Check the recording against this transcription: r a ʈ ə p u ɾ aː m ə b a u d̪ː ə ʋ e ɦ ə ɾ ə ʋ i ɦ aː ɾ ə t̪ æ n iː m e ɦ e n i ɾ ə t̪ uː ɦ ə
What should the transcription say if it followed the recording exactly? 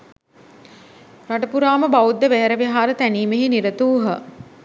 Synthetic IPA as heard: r a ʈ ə p u ɾ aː m ə b a u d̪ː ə ʋ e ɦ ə ɾ ə ʋ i ɦ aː ɾ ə t̪ æ n iː m e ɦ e n i ɾ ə t̪ uː ɦ ə